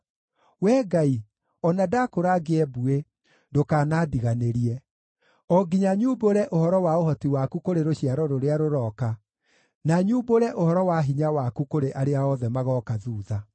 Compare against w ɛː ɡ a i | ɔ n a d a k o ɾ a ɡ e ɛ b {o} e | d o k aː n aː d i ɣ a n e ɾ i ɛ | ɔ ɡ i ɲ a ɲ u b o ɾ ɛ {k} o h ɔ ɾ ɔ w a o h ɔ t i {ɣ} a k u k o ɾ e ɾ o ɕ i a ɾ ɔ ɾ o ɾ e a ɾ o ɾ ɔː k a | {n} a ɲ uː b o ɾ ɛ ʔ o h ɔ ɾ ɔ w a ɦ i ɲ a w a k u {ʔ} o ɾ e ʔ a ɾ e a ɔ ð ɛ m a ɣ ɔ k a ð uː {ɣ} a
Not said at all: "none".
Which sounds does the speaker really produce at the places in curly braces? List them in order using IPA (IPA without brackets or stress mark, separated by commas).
u, ʔ, w, n, k, ð